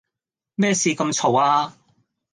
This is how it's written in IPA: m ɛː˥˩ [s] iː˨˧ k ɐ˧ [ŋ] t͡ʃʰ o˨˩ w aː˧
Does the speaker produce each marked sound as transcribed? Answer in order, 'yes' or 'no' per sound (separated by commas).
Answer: yes, no